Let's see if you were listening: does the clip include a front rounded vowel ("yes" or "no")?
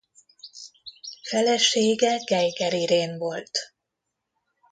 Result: no